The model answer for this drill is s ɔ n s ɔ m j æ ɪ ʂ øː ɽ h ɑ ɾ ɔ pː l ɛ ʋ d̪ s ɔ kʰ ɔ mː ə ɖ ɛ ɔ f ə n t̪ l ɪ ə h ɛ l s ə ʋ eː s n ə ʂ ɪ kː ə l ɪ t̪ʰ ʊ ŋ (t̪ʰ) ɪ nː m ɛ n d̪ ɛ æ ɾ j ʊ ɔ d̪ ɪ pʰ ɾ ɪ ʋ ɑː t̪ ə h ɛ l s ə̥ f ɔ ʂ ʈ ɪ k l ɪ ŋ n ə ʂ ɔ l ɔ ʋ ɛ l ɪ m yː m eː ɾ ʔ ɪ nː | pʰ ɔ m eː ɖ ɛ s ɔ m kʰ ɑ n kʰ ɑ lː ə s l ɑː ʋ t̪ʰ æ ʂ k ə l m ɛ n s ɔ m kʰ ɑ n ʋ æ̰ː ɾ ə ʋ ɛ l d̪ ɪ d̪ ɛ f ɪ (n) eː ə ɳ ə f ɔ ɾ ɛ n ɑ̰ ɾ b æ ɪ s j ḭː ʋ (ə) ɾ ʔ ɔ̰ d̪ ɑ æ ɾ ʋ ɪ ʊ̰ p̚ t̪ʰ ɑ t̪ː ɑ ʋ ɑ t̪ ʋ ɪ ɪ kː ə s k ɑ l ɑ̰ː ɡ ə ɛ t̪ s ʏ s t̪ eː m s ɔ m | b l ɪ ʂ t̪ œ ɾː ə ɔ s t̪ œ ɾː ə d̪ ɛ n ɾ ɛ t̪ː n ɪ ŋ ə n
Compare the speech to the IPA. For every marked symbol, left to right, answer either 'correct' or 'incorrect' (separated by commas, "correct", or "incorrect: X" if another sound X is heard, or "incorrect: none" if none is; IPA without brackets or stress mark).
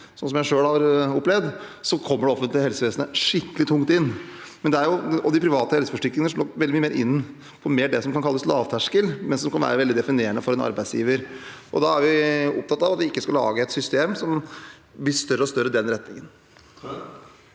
incorrect: t̪, correct, correct